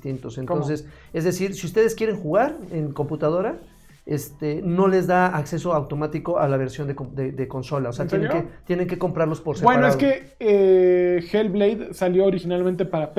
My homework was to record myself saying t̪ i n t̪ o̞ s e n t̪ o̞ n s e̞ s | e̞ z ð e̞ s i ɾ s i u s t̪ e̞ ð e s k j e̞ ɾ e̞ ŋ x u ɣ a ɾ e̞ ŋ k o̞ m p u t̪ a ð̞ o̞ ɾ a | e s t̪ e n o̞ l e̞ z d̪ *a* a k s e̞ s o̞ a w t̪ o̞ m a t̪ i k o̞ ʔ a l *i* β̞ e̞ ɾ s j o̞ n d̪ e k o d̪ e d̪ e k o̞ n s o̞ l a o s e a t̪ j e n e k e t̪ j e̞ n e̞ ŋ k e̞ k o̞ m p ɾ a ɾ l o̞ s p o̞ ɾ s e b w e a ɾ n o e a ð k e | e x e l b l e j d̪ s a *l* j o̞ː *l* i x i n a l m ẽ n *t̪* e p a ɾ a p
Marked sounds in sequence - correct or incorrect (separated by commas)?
correct, incorrect, correct, incorrect, correct